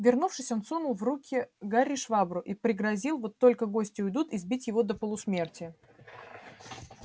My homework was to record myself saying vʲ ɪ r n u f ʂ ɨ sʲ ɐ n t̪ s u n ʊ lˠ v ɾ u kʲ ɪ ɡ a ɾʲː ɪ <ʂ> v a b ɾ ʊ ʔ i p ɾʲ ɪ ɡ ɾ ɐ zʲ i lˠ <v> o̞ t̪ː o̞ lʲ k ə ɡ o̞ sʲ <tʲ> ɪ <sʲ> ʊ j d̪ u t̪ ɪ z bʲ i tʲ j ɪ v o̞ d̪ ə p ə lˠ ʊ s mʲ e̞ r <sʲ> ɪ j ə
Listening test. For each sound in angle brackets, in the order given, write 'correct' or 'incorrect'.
correct, correct, correct, incorrect, incorrect

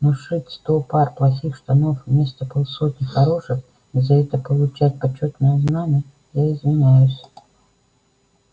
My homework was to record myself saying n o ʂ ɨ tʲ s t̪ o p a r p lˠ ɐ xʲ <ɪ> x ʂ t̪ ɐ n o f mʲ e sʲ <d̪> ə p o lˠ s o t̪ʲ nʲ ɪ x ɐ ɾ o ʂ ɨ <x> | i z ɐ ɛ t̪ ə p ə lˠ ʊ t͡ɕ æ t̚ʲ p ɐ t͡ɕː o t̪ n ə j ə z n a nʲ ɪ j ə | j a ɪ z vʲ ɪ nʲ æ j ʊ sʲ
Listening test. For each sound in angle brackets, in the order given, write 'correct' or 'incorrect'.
incorrect, incorrect, correct

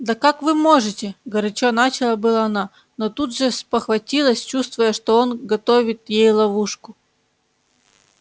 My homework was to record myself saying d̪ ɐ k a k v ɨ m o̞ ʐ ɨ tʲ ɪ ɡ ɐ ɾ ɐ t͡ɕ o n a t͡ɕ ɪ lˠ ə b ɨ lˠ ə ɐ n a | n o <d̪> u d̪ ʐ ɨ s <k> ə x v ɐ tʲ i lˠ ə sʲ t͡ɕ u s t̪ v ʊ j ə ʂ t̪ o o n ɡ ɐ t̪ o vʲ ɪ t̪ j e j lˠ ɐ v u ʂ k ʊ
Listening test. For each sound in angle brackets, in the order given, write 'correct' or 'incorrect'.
incorrect, incorrect

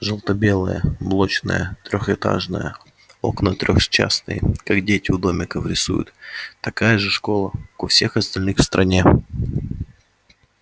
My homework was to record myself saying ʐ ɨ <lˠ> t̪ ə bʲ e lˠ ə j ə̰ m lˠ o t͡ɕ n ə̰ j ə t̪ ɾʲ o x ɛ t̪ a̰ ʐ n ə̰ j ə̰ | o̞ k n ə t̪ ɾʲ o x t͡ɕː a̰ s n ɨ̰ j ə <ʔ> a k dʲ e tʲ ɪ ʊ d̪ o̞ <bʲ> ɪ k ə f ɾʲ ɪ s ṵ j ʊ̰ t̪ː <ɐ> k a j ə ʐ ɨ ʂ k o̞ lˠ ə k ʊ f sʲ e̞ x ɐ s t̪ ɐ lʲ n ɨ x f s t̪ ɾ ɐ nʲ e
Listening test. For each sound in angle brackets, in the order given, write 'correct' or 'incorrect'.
correct, incorrect, incorrect, correct

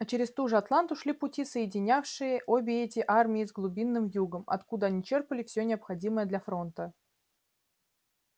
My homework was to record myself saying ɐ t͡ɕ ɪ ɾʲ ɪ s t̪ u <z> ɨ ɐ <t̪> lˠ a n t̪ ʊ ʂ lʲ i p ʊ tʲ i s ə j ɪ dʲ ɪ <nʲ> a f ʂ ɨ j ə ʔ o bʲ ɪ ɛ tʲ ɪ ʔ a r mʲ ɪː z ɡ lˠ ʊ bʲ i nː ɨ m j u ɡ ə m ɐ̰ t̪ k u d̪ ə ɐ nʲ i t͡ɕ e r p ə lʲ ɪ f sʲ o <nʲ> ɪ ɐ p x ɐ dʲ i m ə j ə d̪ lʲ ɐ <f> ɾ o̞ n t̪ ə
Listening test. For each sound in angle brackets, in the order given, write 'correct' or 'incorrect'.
incorrect, correct, correct, correct, correct

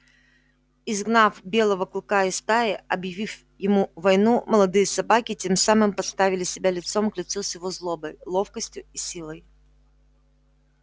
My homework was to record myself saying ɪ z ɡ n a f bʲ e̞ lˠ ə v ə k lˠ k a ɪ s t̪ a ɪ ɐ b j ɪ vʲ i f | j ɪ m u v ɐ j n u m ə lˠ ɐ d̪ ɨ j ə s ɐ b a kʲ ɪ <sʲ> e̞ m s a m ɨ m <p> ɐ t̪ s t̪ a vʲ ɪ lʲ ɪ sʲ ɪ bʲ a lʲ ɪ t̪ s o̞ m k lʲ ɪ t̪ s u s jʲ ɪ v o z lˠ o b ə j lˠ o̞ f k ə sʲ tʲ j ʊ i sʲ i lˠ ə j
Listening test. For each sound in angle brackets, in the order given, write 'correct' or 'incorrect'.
incorrect, correct

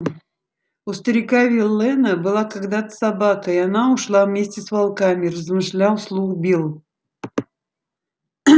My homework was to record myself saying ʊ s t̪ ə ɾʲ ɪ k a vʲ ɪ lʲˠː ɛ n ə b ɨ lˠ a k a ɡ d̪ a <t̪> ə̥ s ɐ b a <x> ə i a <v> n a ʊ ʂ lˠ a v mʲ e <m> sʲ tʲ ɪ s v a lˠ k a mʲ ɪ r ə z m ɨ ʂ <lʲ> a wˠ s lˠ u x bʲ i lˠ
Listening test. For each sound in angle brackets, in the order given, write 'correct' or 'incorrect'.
correct, incorrect, incorrect, incorrect, correct

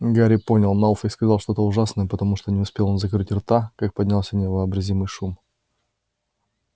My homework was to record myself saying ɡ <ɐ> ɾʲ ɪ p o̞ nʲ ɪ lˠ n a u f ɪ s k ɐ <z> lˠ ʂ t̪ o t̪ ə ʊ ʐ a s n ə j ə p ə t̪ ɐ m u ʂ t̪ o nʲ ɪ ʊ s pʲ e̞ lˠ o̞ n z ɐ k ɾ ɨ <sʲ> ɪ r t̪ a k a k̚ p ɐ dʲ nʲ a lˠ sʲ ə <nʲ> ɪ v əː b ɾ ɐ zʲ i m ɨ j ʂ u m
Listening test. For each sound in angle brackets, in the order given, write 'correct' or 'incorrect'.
incorrect, correct, incorrect, correct

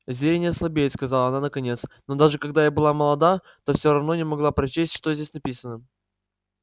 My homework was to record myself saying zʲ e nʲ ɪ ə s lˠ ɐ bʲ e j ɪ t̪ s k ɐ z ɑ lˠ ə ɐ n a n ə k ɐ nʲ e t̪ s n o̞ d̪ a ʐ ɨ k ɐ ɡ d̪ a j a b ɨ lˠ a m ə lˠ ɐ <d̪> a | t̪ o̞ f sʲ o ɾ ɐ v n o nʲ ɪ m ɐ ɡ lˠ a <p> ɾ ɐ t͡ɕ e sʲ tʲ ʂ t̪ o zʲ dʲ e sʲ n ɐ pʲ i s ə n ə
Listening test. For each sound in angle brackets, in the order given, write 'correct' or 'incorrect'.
correct, correct

